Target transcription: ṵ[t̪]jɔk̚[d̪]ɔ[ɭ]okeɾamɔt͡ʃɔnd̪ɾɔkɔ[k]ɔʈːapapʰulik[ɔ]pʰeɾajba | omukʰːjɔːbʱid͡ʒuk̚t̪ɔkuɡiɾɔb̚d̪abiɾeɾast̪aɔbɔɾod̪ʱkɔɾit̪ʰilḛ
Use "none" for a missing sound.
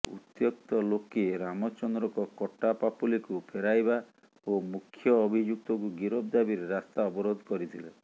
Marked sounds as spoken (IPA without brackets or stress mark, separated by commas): t̪, t̪, l, k, u